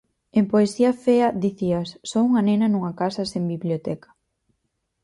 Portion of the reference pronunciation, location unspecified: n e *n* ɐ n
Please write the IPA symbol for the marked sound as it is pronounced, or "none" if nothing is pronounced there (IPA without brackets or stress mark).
n